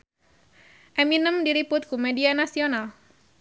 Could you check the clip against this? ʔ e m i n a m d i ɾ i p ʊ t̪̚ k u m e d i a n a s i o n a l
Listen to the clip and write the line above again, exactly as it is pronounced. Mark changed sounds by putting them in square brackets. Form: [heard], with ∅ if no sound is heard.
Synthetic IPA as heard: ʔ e m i n [ə] m d i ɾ i p ʊ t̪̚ k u m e d i a n a s i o n a l